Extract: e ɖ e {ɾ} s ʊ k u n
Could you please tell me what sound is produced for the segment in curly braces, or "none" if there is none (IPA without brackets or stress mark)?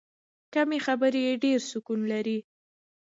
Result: ɾ